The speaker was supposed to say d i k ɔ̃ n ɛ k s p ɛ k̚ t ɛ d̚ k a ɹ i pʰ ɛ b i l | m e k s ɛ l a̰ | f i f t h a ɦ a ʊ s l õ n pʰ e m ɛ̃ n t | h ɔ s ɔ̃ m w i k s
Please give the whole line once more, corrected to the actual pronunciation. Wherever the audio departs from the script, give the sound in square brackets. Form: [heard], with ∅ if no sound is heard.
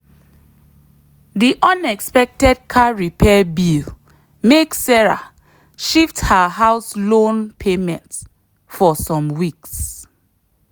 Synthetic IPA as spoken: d i [ʔ] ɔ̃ n ɛ k s p ɛ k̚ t ɛ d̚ [kʰ] a ɹ i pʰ ɛ b i l | m e k s ɛ [ɹ] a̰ | [ʃ] i f t h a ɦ a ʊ s l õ n pʰ e m ɛ̃ n t | [f] ɔ s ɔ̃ m w i k s